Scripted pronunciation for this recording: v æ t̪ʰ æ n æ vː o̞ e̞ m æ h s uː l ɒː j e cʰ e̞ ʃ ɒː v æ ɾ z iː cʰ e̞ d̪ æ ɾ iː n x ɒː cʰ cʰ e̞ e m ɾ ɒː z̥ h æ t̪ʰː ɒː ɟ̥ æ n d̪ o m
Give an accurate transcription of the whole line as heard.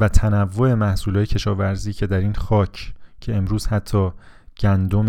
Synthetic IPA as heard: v æ t̪ʰ æ n æ vː o̞ e̞ m æ h s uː l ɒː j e cʰ e̞ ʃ ɒː v æ ɾ z iː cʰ e̞ d̪ æ ɾ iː n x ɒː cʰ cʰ e̞ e m ɾ uː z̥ h æ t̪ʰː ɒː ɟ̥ æ n d̪ o m